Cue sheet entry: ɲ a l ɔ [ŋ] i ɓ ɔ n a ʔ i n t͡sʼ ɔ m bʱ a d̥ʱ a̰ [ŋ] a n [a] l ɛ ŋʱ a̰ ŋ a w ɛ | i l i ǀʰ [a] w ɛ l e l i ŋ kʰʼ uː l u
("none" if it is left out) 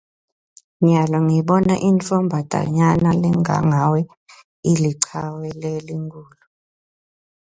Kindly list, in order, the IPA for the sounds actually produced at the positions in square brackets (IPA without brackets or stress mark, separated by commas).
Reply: ŋ, ɲ, a, a